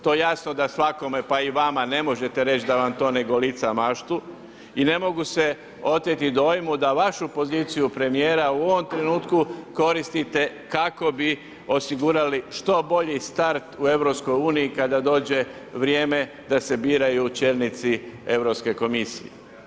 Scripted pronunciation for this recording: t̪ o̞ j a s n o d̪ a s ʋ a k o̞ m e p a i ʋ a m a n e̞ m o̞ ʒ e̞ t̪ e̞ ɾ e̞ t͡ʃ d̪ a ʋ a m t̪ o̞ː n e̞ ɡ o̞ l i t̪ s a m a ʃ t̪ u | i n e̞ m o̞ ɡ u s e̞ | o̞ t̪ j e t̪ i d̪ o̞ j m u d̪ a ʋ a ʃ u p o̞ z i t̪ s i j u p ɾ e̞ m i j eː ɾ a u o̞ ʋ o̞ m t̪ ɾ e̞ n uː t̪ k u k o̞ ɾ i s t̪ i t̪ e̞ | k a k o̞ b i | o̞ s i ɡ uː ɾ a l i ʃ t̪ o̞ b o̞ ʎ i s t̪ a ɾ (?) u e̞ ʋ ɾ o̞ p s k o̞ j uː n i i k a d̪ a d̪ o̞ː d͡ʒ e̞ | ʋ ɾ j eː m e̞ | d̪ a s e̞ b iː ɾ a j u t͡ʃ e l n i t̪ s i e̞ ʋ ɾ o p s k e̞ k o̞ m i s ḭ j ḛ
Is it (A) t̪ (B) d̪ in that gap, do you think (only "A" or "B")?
A